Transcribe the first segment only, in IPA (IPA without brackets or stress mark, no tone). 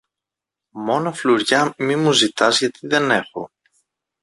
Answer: m